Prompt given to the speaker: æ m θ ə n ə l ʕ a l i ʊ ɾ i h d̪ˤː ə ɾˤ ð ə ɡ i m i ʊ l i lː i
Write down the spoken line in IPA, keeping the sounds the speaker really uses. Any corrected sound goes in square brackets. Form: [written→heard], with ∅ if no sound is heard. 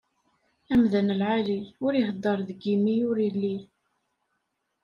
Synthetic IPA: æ m [θ→ð] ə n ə l ʕ a l i ʊ ɾ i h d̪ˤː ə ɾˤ ð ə ɡ i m i ʊ [l→ɾ] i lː i